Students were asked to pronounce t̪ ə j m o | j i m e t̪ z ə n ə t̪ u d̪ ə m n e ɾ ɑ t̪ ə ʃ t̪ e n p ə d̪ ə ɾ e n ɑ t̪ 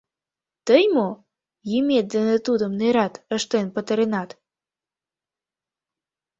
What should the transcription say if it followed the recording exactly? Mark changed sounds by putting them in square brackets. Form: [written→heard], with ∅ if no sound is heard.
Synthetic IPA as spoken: t̪ ə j m o | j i m e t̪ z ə n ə t̪ u d̪ ə m n e ɾ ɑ t̪ ə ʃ t̪ e n p ə [d̪→t̪] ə ɾ e n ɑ t̪